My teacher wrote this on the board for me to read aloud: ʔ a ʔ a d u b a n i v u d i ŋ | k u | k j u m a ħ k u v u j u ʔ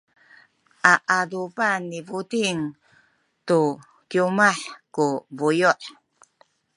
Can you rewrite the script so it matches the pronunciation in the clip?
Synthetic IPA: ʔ a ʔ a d u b a n i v u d i ŋ | t u | k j u m a ħ k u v u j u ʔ